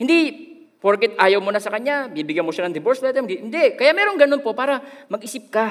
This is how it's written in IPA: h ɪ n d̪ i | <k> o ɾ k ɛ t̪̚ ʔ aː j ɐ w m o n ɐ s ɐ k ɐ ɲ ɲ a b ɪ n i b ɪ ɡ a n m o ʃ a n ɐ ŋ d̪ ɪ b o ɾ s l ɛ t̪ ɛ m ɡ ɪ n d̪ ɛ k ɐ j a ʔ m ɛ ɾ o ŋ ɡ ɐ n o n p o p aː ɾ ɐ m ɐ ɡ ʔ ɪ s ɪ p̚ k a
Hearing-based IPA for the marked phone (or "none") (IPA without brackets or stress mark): p